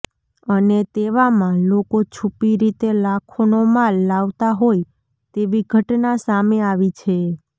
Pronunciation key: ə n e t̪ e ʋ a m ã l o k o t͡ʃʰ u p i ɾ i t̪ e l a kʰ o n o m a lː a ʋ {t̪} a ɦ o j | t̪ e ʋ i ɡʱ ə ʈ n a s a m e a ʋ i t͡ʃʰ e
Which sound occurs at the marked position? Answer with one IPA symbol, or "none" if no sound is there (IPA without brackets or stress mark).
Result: t̪